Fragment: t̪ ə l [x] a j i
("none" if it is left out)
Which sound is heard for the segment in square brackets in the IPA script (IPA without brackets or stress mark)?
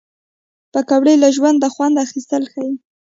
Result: x